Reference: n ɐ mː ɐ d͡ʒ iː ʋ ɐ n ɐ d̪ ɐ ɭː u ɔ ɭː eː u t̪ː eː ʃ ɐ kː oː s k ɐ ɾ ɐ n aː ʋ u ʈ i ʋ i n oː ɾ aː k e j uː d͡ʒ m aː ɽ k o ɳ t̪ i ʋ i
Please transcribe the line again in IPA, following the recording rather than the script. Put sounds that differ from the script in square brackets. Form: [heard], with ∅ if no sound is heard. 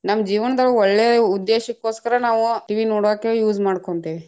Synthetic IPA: n ɐ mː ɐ d͡ʒ iː ʋ ɐ n ɐ d̪ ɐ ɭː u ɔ ɭː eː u [d̪ː] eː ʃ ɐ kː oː s k ɐ ɾ ɐ n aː ʋ u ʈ i ʋ i n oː [ɽ] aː k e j uː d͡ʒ m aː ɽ k o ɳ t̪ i ʋ i